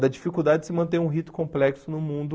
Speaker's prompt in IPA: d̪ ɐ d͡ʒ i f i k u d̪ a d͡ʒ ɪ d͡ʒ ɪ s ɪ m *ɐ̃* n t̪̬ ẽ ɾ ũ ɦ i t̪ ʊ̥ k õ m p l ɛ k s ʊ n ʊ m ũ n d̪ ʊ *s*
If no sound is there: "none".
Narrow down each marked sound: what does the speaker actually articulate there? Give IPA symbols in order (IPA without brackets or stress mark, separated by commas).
ɐ̃, none